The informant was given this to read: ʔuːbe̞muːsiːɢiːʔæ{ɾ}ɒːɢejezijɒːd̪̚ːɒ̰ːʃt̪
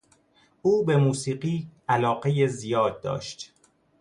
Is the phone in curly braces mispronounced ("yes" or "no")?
yes